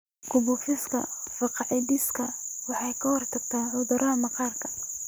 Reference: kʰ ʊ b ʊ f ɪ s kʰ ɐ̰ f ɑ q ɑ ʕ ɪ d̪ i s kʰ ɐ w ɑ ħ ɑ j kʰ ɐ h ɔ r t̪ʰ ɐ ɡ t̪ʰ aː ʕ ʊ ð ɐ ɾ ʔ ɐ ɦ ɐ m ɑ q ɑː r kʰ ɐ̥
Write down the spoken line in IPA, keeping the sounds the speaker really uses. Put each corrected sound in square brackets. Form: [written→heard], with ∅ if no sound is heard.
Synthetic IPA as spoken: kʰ ʊ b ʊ f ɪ s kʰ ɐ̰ f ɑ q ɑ ʕ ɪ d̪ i s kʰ ɐ w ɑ ħ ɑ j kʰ ɐ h ɔ r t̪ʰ ɐ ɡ t̪ʰ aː ʕ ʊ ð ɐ ɾ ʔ ɐ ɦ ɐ m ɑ q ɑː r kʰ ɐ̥